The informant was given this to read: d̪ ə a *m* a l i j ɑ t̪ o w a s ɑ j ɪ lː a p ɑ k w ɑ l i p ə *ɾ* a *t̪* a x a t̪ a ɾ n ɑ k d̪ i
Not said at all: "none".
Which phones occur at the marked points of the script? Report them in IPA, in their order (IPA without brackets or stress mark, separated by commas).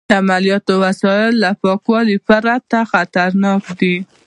m, ɾ, t̪